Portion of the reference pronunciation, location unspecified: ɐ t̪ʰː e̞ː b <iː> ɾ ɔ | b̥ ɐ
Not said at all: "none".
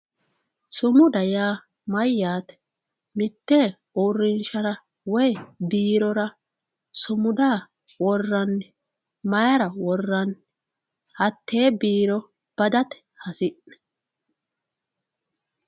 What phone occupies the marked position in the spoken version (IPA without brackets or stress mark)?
iː